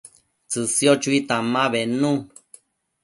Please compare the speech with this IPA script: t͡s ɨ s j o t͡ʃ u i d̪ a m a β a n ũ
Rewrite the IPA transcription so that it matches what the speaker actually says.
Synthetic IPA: t͡s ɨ s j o t͡ʃ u i t̪ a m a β e n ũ